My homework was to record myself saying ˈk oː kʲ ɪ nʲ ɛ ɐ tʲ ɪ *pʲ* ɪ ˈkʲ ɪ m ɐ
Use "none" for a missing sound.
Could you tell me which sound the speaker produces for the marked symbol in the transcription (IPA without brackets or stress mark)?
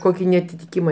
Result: tʲ